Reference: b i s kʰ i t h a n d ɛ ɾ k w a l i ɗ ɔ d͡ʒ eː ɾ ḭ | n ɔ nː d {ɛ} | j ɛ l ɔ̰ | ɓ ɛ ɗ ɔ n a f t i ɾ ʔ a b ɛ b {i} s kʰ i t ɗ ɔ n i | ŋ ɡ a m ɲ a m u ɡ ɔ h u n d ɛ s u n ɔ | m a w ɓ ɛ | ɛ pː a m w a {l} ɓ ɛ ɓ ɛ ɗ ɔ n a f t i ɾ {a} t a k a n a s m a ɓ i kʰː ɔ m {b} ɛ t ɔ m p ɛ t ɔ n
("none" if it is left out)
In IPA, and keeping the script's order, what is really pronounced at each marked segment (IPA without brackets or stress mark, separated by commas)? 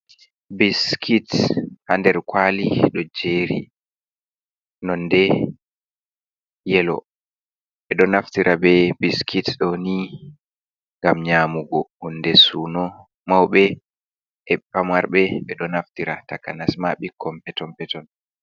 ɛ, i, ɾ, a, p